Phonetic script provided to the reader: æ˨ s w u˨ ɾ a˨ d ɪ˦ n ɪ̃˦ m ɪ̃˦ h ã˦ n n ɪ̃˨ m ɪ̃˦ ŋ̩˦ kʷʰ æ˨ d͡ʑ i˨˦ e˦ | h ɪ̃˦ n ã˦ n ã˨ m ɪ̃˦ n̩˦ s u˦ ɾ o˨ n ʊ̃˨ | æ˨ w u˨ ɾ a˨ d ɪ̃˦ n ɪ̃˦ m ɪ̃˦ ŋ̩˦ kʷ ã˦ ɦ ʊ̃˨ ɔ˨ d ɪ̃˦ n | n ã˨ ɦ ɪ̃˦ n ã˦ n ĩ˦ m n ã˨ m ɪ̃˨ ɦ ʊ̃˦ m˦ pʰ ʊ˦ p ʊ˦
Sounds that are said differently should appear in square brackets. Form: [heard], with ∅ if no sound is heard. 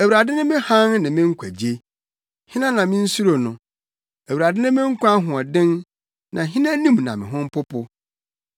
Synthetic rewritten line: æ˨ [∅] w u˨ ɾ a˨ d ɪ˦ n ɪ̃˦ m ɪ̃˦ h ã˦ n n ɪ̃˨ m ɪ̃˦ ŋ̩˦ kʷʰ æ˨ d͡ʑ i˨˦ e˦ | h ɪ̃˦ n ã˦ n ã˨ m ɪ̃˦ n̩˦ s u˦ ɾ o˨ n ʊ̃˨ | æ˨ w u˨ ɾ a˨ d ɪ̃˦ n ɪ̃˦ m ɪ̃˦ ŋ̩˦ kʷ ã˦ ɦ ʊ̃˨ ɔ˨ d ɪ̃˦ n | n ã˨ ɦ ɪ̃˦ n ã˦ n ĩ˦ m n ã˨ m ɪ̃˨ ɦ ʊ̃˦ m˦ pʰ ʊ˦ p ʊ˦